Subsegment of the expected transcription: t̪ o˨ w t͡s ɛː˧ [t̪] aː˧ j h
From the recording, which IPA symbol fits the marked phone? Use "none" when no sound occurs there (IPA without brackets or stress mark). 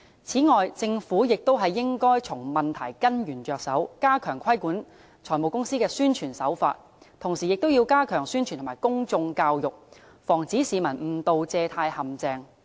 t̪ʰ